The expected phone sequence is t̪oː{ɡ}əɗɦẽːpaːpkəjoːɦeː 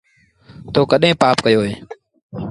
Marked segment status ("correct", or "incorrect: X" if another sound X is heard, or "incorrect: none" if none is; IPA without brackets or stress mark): incorrect: k